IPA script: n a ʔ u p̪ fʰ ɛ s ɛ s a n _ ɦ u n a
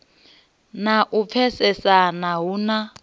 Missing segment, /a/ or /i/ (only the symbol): a